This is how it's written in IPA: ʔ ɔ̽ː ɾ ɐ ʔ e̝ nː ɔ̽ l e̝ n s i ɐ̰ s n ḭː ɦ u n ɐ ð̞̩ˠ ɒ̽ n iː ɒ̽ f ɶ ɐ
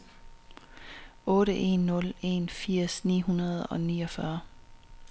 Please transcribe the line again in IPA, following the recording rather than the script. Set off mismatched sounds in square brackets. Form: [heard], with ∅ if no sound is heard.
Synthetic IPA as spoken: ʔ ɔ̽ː ɾ [ə] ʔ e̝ nː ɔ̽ l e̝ n [f] i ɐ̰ s n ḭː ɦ u n ɐ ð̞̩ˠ ɒ̽ n iː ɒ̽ f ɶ ɐ